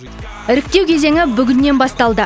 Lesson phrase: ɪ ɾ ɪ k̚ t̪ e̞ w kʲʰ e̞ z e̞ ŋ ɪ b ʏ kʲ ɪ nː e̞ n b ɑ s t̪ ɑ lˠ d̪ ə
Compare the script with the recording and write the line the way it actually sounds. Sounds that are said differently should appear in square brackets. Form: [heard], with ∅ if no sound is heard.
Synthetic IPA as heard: ɪ ɾ ɪ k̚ t̪ e̞ w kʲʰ e̞ z e̞ ŋ ɪ b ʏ [ɡʲ] ɪ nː e̞ n b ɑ s t̪ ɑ lˠ d̪ ə